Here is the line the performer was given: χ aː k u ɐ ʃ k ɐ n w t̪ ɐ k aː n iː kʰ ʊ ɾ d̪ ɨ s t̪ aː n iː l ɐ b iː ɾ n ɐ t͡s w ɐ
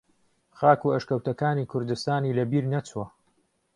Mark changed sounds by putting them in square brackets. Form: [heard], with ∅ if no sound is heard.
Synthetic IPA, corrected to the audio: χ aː k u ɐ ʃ k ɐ [∅] w t̪ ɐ k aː n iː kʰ ʊ ɾ d̪ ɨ s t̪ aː n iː l ɐ b iː ɾ n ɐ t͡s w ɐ